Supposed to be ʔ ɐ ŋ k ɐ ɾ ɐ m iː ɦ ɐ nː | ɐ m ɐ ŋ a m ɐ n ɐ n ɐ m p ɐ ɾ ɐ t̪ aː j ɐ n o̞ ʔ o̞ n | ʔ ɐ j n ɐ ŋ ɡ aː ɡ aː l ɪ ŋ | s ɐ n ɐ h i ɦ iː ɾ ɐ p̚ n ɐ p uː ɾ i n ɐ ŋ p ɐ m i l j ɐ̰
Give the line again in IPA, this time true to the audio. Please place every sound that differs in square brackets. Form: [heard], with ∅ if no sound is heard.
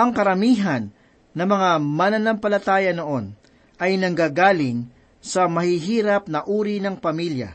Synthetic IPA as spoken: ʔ ɐ ŋ k ɐ ɾ ɐ m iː ɦ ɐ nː | ɐ m ɐ ŋ a m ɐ n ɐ n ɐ m p ɐ [l] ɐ t̪ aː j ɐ n o̞ ʔ o̞ n | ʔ ɐ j n ɐ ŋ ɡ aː ɡ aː l ɪ ŋ | s ɐ [m] ɐ h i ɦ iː ɾ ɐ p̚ n ɐ [ʔ] uː ɾ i n ɐ ŋ p ɐ m i l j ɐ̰